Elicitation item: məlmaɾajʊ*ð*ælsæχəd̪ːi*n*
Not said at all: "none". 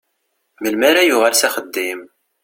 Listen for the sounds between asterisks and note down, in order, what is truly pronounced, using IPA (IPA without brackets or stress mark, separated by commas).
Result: ʁ, m